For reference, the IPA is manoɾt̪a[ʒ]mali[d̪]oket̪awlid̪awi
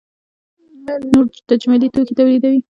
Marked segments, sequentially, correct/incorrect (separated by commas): incorrect, incorrect